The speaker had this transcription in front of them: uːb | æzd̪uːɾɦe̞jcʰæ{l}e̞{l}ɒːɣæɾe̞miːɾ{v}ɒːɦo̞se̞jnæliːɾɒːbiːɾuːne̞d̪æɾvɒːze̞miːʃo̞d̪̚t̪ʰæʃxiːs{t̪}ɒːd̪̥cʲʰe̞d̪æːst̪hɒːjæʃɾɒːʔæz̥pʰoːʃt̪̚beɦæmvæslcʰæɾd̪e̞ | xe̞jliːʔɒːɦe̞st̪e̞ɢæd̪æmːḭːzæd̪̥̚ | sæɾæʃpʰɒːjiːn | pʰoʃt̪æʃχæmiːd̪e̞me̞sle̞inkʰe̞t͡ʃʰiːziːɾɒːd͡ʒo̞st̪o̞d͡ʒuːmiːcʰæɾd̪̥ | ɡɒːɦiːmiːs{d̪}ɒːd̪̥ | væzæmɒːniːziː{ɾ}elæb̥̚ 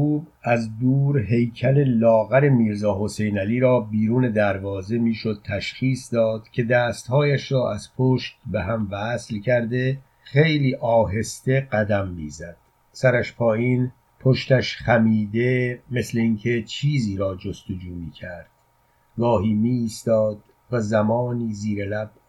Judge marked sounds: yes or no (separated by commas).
yes, yes, no, no, no, yes